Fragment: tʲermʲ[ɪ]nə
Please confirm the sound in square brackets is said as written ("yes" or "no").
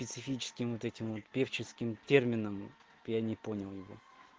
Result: yes